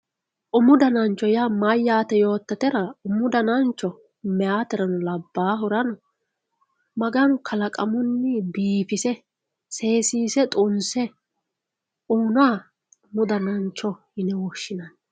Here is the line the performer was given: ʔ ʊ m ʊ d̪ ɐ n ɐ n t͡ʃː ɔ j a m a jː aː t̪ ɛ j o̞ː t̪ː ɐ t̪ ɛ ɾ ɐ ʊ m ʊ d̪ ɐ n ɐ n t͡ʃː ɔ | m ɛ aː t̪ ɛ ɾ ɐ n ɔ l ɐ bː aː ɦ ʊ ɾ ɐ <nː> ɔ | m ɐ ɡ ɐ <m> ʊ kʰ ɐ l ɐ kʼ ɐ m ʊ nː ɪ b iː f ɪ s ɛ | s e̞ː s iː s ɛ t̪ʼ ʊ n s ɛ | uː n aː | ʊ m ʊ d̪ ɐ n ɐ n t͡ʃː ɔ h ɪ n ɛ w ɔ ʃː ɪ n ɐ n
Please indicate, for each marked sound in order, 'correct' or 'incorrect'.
incorrect: n, incorrect: n

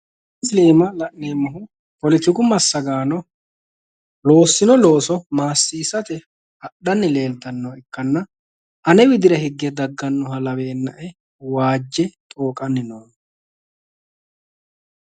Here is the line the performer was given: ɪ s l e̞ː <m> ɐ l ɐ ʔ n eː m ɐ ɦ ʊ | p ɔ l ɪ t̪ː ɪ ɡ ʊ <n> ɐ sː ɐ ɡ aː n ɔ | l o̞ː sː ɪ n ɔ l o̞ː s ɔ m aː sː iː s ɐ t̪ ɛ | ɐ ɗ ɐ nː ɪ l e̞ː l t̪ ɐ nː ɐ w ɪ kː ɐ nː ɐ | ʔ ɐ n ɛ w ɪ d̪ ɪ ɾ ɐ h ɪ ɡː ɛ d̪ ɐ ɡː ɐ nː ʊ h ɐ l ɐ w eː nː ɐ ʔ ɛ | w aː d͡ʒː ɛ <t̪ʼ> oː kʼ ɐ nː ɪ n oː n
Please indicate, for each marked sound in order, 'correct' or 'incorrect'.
correct, incorrect: m, correct

